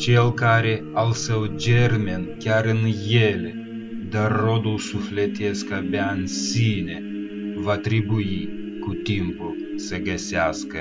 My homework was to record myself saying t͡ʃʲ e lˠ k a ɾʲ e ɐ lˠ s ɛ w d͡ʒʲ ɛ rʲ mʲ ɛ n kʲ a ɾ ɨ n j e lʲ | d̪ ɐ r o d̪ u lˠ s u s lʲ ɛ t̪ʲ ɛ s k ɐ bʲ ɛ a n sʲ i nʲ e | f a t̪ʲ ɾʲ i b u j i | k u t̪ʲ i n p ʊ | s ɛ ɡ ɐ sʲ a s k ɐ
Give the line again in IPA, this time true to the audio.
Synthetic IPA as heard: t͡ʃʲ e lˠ k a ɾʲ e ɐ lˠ s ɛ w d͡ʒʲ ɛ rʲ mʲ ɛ n kʲ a ɾ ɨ n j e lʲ | d̪ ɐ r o d̪ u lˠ s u f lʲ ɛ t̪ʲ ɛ s k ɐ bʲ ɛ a n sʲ i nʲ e | v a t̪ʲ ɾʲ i b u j i | k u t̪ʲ i m p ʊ | s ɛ ɡ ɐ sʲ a s k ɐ